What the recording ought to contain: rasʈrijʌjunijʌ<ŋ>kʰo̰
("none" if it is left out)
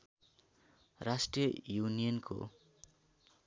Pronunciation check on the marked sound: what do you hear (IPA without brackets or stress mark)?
n